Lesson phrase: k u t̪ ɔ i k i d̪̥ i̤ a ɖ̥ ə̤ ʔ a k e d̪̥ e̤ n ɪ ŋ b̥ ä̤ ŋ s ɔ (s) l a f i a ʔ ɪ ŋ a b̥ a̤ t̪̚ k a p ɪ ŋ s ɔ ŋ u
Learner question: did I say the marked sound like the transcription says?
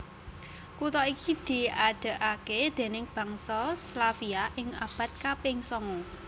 yes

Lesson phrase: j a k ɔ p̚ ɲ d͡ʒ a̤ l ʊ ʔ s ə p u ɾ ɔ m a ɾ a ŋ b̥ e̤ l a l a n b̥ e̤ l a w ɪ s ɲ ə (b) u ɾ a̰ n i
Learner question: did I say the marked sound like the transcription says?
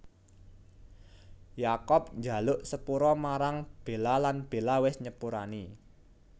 no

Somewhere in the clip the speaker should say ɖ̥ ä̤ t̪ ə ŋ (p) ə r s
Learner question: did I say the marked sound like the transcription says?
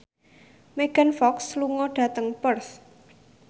yes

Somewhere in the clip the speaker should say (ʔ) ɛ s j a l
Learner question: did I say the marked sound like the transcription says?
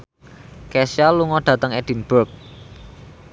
no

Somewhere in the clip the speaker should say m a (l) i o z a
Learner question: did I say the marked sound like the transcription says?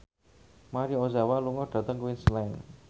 no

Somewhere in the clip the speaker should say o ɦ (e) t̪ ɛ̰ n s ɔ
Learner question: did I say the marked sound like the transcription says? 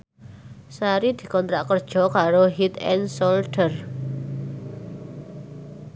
no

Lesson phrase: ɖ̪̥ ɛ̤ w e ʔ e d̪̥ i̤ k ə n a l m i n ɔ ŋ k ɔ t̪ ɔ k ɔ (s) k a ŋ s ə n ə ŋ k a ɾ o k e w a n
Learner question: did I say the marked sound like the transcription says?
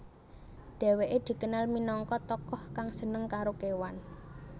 no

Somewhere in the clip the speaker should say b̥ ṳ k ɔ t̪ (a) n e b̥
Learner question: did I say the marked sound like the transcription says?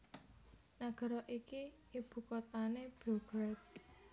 yes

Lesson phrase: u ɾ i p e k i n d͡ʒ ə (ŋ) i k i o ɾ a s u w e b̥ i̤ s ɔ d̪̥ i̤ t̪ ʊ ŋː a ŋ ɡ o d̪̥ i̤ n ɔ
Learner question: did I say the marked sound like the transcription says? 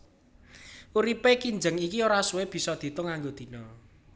yes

